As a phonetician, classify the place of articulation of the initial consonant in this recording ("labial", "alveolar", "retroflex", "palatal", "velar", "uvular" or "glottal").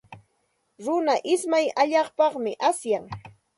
alveolar